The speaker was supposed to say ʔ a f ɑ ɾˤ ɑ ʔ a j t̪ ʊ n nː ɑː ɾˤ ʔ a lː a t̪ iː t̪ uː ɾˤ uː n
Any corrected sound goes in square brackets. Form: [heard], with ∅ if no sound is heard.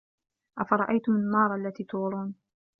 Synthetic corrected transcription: ʔ a f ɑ ɾˤ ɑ ʔ a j t̪ ʊ [m] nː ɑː ɾˤ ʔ a lː a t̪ iː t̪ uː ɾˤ uː n